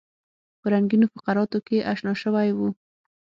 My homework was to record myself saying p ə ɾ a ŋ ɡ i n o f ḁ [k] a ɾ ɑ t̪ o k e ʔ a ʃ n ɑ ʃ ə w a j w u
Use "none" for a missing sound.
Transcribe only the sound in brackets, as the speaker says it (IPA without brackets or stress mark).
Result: q